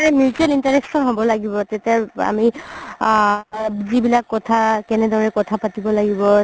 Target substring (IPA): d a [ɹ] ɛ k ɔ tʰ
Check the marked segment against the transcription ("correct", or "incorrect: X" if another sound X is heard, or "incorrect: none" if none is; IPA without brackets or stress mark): correct